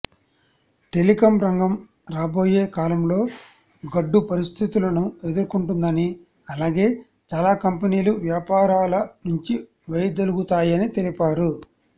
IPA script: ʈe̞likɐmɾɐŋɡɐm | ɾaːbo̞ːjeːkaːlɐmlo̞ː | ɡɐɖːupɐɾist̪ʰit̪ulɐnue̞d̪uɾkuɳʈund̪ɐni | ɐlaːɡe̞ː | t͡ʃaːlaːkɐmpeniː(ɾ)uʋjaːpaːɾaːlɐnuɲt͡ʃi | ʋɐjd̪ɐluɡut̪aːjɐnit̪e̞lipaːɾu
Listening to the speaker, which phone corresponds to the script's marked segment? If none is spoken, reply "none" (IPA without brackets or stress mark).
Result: l